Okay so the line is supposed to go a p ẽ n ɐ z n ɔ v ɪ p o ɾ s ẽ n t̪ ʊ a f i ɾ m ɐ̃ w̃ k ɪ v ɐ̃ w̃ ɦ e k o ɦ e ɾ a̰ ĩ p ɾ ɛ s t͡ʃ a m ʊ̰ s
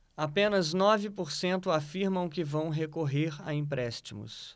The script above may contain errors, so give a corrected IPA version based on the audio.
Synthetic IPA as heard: a p ẽ n ɐ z n ɔ v ɪ p o ɾ s ẽ n t̪ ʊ a f i ɾ m ɐ̃ w̃ k ɪ v ɐ̃ w̃ ɦ e k o ɦ e ɾ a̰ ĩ p ɾ ɛ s t͡ʃ i m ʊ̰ s